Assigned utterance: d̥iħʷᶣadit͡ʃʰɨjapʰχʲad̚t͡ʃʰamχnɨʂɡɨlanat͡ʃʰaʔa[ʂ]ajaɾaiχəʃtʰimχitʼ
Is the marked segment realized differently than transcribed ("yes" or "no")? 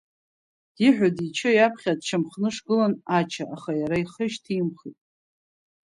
yes